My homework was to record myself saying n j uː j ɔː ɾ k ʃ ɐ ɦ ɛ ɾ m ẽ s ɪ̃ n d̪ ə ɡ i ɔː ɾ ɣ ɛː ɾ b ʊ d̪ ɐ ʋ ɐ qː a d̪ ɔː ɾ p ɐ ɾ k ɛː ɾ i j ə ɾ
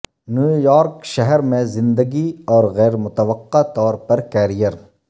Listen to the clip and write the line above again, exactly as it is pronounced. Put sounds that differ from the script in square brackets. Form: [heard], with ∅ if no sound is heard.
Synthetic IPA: n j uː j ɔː ɾ k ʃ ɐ ɦ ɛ ɾ m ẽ [z] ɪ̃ n d̪ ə ɡ i ɔː ɾ ɣ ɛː ɾ [m] ʊ [t̪] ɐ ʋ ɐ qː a [t̪] ɔː ɾ p ɐ ɾ k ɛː ɾ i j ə ɾ